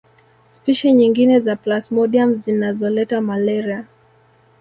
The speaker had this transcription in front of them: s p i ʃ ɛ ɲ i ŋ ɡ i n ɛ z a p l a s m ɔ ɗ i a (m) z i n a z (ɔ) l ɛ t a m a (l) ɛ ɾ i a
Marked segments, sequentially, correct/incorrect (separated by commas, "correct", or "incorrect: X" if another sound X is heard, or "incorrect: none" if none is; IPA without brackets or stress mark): correct, correct, correct